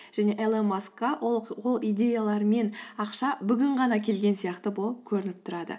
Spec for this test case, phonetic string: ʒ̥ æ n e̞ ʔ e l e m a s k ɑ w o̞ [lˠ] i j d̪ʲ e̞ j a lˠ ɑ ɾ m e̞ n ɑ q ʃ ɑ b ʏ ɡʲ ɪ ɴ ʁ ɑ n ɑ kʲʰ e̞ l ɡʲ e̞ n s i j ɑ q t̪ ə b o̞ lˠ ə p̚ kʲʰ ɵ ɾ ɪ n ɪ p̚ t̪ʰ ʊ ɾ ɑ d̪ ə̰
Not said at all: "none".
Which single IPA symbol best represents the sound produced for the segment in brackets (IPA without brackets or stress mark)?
lˠ